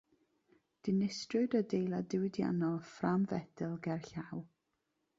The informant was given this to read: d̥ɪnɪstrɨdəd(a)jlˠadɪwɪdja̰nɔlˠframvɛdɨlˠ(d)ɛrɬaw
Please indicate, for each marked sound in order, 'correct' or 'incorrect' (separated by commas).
incorrect, incorrect